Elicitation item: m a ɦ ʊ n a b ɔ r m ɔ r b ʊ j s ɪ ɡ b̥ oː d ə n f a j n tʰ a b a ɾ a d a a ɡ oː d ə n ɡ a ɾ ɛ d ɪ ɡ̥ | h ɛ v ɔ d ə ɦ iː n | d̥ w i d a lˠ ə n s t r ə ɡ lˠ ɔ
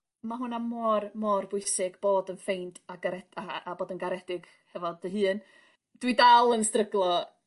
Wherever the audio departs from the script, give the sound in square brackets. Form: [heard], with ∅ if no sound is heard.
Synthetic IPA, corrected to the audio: m a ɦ ʊ n a [m] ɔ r m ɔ r b ʊ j s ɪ ɡ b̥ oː d ə n f [e] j n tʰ a [ɡ] a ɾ [ɛ] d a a [b] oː d ə n ɡ a ɾ ɛ d ɪ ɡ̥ | h ɛ v ɔ d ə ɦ [ɨː] n | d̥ w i d a lˠ ə n s t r ə ɡ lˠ ɔ

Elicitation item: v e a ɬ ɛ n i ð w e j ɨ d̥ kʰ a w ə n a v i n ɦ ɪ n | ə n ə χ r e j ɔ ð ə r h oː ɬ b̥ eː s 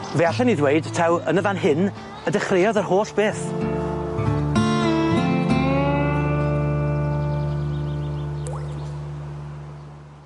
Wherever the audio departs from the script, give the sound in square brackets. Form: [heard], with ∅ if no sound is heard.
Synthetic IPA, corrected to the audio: v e a ɬ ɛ n i ð w e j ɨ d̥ [tʰ] a w ə n [ə] v [a] n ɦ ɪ n | ə [d] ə χ r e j ɔ ð ə r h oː ɬ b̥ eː [θ]

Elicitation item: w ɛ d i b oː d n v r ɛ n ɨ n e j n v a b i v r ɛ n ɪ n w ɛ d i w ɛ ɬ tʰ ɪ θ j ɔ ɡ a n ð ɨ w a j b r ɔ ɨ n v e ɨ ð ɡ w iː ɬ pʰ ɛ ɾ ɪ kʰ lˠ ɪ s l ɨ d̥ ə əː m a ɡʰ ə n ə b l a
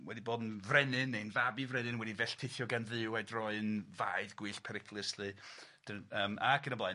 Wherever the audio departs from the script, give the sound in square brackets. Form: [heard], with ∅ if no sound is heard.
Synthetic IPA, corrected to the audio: w ɛ d i b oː d n v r ɛ n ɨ n e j n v a b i v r ɛ n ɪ n w ɛ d i [v] ɛ ɬ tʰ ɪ θ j ɔ ɡ a n ð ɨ w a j [d] r ɔ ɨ n v [a] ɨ ð ɡ w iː ɬ pʰ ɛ ɾ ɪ kʰ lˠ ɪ s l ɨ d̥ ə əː m a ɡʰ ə n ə b l a

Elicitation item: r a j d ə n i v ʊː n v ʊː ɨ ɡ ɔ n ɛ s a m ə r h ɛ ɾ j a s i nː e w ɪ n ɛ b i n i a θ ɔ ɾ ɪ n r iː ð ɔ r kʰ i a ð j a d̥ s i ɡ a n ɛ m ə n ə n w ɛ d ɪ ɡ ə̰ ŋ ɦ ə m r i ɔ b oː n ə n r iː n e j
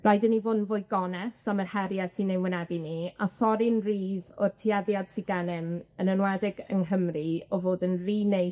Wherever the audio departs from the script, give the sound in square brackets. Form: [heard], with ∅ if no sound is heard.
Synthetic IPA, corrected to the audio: r a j d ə n i v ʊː n v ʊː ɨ ɡ ɔ n ɛ s a m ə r h ɛ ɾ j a s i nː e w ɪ n ɛ b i n i a θ ɔ ɾ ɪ n r iː ð ɔ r [tʰ] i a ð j a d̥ s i ɡ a n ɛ m ə n ə n w ɛ d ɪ ɡ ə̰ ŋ ɦ ə m r i ɔ [v] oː [d] ə n r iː n e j

